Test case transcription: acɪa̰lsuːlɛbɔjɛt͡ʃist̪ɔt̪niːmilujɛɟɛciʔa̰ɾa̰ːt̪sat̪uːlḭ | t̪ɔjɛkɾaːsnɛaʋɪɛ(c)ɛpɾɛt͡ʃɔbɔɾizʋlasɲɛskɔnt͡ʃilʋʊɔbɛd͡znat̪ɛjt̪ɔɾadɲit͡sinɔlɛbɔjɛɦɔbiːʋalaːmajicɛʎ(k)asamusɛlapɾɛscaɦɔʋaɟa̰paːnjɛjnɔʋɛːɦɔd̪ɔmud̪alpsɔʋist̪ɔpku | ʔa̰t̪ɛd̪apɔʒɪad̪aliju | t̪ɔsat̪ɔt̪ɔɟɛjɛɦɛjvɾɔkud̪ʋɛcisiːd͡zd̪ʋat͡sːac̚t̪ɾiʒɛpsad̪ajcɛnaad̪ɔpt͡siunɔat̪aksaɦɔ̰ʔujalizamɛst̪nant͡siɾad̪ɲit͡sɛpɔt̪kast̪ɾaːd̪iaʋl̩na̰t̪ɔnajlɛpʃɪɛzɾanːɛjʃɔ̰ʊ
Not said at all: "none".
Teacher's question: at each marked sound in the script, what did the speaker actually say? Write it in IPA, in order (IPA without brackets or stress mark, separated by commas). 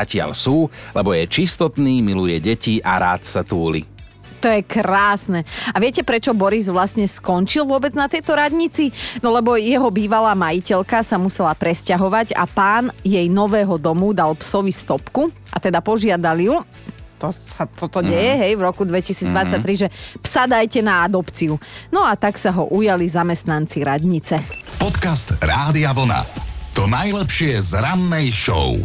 c, k